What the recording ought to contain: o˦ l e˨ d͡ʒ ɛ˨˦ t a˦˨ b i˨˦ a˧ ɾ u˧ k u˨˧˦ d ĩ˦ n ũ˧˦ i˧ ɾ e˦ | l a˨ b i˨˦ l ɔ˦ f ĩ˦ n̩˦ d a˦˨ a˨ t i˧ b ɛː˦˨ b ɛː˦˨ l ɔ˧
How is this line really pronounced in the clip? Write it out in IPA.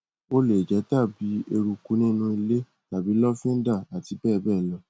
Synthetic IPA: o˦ l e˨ d͡ʒ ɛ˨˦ t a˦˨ b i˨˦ e˧ ɾ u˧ k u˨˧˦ n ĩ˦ n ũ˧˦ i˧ l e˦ | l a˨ b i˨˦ l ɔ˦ f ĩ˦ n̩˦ d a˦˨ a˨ t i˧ b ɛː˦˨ b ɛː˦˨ l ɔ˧